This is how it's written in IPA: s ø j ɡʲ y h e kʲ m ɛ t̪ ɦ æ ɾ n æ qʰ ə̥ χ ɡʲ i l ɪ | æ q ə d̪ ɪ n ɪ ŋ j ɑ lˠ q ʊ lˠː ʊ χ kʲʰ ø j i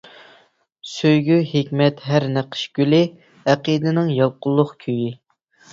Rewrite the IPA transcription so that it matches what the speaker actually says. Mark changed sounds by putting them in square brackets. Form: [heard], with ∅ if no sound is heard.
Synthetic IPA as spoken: s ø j ɡʲ y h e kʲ m ɛ t̪ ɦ æ ɾ n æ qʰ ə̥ [ʃ] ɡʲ [y] l ɪ | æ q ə d̪ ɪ n ɪ ŋ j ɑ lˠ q ʊ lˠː ʊ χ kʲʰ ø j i